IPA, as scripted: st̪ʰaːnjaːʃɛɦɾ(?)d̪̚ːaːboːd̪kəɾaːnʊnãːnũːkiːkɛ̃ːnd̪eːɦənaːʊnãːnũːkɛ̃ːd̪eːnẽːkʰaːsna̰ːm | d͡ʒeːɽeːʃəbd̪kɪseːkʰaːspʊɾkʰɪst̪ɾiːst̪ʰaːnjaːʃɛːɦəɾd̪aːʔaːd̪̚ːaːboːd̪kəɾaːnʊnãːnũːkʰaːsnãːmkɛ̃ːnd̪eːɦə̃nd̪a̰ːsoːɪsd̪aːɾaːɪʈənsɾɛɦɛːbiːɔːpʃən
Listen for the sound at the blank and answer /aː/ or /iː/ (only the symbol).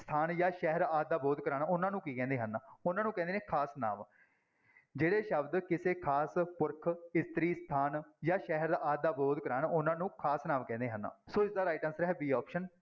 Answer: aː